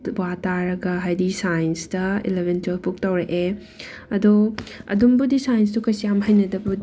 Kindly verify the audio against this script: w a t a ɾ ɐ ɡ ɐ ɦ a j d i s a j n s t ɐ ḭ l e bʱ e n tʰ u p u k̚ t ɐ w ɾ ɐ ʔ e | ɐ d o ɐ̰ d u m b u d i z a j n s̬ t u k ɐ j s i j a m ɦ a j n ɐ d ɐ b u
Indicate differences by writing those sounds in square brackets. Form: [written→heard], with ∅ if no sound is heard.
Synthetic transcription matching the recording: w a t a ɾ ɐ ɡ ɐ ɦ a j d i s a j n s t ɐ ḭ l e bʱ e n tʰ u p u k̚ t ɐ w ɾ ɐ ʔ e | ɐ d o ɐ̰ d u m b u d i [z→s] a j n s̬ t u k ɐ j s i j a m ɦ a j n ɐ d ɐ b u